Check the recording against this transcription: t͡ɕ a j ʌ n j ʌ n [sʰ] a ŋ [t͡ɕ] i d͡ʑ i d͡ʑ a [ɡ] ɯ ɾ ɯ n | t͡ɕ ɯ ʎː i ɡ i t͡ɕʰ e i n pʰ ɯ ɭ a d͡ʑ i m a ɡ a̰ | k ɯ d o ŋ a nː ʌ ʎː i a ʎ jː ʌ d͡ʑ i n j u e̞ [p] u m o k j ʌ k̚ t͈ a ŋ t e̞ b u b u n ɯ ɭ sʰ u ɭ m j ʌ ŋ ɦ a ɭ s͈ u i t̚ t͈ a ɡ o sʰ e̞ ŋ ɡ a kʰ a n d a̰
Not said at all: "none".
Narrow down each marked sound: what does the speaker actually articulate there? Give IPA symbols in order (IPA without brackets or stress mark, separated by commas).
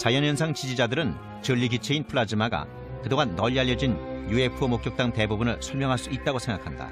sʰ, t͡ɕ, d, pʰ